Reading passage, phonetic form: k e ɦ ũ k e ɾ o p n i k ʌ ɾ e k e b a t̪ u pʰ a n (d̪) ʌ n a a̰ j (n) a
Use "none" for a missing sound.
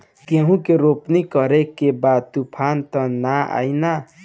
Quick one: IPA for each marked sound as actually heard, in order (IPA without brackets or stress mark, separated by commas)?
t̪, n